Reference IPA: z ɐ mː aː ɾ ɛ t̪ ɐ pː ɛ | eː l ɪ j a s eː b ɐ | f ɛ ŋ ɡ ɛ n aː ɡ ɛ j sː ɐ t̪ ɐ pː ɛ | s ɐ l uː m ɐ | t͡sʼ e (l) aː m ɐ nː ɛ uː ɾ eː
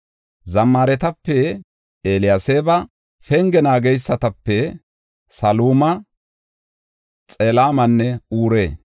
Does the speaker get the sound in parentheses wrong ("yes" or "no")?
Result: no